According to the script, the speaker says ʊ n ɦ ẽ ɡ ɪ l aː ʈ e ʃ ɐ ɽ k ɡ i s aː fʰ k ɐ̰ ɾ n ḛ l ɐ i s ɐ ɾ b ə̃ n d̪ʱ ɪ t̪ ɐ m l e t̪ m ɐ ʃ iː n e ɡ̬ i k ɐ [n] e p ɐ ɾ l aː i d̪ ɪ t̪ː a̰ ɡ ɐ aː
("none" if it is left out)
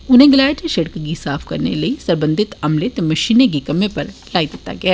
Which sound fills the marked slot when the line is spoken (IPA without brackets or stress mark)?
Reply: m